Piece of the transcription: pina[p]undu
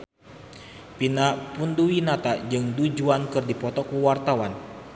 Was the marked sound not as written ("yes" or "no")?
no